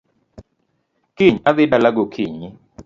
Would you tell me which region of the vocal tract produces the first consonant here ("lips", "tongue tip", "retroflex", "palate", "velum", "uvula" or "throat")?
velum